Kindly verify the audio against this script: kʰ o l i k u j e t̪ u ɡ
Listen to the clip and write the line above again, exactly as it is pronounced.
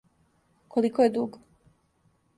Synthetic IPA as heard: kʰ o l i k o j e d̪ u ɡ